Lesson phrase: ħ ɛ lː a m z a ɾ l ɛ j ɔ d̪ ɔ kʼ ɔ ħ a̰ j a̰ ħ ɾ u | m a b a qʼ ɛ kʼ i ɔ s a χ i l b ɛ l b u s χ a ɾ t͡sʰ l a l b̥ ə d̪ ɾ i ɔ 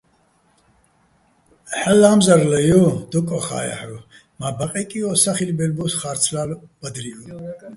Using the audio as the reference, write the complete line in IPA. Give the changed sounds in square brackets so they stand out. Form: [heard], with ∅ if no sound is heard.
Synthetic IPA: ħ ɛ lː a m z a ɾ l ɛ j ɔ d̪ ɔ kʼ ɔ [χ] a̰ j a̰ ħ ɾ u | m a b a qʼ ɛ kʼ i ɔ s a χ i l b ɛ l b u s χ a ɾ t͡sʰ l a l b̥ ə d̪ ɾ i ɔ